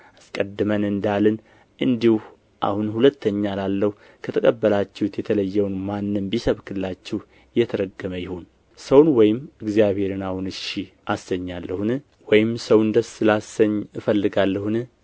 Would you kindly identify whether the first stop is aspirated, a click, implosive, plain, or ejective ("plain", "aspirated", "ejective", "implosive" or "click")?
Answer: ejective